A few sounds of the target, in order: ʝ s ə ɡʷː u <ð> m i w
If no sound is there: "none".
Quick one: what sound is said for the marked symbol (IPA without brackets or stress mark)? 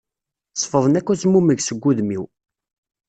ð